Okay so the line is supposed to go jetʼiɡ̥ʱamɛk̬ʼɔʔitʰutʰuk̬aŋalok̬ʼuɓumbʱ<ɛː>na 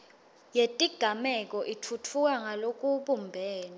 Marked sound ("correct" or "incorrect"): correct